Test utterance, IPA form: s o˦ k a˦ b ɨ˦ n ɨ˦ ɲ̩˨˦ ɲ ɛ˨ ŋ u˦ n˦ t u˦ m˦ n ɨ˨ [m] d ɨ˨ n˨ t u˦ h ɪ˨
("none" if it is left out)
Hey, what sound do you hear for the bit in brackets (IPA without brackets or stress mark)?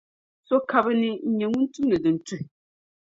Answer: none